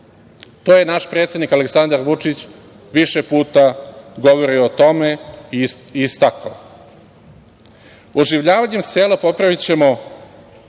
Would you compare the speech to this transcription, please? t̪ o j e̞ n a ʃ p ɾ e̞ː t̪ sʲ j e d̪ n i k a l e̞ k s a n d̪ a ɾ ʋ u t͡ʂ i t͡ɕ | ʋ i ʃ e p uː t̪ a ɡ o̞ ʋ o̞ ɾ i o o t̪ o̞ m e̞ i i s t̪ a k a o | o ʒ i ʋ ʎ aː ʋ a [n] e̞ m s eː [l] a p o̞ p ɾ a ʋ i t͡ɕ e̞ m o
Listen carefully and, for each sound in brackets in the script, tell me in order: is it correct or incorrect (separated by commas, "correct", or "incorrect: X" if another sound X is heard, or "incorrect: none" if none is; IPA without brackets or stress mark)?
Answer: incorrect: ɲ, correct